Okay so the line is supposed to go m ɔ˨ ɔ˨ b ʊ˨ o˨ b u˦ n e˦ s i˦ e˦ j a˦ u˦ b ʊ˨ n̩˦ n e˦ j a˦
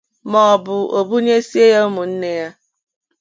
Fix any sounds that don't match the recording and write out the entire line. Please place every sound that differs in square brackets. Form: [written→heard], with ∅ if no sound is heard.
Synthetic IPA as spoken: m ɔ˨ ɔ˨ b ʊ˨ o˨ b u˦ [n→ɲ] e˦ s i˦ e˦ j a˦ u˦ [b→m] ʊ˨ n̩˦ n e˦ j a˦